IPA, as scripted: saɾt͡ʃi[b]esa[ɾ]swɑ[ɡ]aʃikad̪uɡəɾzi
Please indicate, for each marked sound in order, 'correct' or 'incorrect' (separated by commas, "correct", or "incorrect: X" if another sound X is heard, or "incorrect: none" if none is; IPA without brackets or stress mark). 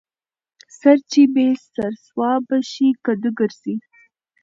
correct, correct, incorrect: b